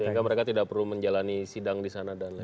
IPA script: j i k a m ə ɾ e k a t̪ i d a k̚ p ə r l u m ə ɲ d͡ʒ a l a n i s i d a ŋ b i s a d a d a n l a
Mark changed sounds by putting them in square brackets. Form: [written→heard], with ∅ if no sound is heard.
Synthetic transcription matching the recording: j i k a m ə ɾ e k a t̪ i d a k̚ p ə r l u m ə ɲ d͡ʒ a l a n i s i d a ŋ [b→d] i s a [d→n] a d a n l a

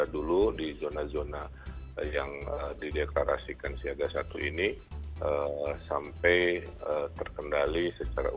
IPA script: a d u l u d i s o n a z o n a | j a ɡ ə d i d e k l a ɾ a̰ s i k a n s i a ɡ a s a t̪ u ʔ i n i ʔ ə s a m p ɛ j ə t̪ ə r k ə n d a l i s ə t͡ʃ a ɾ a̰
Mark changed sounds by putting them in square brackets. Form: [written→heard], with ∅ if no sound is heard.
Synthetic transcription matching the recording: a d u l u d i [s→z] o n a z o n a | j a [ɡ→ŋ] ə d i d e k l a ɾ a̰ s i k a n s i a ɡ a s a t̪ u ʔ i n i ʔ ə s a m p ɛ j ə t̪ ə r k ə n d a l i s ə t͡ʃ a ɾ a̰

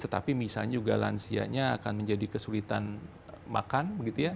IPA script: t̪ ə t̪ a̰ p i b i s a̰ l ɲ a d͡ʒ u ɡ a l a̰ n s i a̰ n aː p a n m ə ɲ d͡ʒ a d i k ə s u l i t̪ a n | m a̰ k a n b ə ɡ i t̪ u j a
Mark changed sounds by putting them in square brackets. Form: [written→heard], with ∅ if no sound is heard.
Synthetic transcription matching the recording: t̪ ə t̪ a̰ p i [b→m] i s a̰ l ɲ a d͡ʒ u ɡ a l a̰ n s i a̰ [n→ɲ] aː [p→k] a n m ə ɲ d͡ʒ a d i k ə s u l i t̪ a n | m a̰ k a n b ə ɡ i t̪ u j a

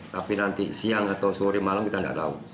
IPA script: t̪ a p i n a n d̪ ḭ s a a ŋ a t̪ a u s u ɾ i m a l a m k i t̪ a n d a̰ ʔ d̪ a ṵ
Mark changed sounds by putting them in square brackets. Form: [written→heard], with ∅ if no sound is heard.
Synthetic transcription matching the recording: t̪ a p i n a n [d̪→t̪] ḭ s [a→i] a ŋ a t̪ a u s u ɾ i m a l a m k i t̪ a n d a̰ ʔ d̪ a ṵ

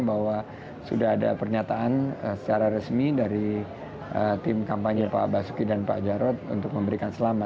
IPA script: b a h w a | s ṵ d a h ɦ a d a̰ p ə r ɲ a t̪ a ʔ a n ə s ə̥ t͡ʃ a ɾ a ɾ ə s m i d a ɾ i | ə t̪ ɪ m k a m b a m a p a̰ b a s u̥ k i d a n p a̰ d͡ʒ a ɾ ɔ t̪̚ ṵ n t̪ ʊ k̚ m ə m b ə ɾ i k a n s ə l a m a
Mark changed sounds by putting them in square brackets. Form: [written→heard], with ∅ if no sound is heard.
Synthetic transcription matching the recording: b a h w a | s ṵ d a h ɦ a d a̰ p ə r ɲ a t̪ a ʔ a n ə s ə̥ t͡ʃ a ɾ a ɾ ə s m i d a ɾ i | ə t̪ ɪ m k a m [b→p] a [m→ɲ] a p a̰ b a s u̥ k i d a n p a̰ d͡ʒ a ɾ ɔ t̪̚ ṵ n t̪ ʊ k̚ m ə m b ə ɾ i k a n s ə l a m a

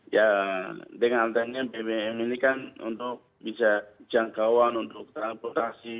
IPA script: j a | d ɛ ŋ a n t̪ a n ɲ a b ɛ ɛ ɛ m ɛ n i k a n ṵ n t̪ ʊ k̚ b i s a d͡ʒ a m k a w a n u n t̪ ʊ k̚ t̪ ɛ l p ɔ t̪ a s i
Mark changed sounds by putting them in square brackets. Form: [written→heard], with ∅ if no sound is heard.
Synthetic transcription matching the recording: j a | d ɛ ŋ a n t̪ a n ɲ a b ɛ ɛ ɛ m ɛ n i k a n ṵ n t̪ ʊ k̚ b i s a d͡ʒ a [m→ŋ] k a w a n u n t̪ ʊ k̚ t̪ [ɛ→a] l p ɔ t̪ a s i

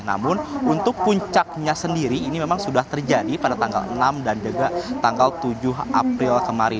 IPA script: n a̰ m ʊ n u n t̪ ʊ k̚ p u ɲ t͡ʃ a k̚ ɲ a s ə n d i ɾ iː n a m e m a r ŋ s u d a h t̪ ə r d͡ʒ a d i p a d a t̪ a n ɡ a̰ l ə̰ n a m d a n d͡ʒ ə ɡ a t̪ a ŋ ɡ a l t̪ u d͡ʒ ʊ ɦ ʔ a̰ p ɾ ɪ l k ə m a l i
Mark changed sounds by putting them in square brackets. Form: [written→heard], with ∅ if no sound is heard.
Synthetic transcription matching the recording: n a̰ m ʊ n u n t̪ ʊ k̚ p u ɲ t͡ʃ a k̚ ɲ a s ə n d i ɾ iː n [a→i] m e m a [r→∅] ŋ s u d a h t̪ ə r d͡ʒ a d i p a d a t̪ a [n→ŋ] ɡ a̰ l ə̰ n a m d a n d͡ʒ ə ɡ a t̪ a ŋ ɡ a l t̪ u d͡ʒ ʊ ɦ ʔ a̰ p ɾ ɪ l k ə m a [l→ɾ] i

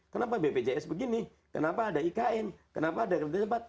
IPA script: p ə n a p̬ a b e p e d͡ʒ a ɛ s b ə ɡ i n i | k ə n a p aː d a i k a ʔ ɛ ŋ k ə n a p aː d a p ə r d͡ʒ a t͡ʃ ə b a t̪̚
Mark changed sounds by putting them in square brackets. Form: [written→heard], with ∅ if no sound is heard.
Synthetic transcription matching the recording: [p→k] ə n a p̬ a b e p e d͡ʒ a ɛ s b ə ɡ i n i | k ə n a p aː d a i k a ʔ ɛ [ŋ→n] k ə n a p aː d a [p→k] ə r d͡ʒ a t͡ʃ ə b a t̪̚

